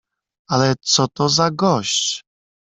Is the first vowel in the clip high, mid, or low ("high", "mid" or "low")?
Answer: low